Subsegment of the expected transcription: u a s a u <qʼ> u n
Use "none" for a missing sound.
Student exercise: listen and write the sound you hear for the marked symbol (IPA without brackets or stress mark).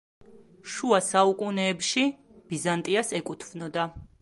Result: kʼ